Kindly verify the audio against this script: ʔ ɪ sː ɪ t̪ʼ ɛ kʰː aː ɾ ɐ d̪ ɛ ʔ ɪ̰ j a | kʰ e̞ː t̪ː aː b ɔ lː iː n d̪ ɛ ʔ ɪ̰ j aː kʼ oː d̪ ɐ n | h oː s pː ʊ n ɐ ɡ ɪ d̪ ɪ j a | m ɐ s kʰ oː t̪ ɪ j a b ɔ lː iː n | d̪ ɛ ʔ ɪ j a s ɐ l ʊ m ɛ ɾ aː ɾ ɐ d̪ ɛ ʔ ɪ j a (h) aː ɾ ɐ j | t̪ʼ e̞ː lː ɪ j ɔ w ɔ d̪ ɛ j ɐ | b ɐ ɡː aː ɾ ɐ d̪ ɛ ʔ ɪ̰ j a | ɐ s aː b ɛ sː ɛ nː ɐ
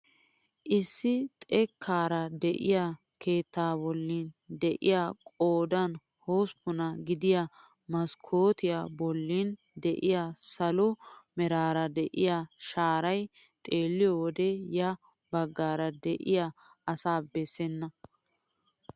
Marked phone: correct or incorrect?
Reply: incorrect